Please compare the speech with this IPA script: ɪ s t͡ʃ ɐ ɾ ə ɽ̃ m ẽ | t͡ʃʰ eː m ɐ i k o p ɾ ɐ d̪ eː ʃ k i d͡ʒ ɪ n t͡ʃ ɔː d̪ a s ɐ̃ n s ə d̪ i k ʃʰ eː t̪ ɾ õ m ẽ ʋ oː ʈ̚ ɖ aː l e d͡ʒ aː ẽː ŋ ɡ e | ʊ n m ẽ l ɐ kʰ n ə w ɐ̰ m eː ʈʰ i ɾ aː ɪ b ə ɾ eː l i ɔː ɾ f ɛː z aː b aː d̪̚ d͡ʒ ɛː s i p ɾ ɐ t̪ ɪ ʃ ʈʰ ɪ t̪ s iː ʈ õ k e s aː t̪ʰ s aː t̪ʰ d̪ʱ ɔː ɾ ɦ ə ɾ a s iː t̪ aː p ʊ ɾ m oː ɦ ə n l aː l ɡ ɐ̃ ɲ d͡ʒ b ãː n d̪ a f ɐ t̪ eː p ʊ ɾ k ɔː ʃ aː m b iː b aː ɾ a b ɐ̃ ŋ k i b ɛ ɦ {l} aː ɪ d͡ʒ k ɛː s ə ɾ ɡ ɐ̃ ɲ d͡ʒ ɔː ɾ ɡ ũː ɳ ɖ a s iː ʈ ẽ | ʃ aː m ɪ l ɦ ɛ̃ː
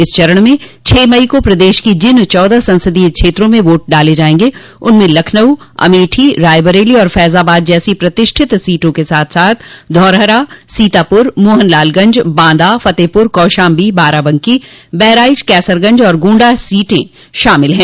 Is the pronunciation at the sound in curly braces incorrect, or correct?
incorrect